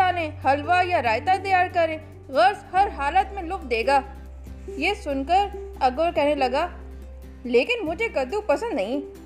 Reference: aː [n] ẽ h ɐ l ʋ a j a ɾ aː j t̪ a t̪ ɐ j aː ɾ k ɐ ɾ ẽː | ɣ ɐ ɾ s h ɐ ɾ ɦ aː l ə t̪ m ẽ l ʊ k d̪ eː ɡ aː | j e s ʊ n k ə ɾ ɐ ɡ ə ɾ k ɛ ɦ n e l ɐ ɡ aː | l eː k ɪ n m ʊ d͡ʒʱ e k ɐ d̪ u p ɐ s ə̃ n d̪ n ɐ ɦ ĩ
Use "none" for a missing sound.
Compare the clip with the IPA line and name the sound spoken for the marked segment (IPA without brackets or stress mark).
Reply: n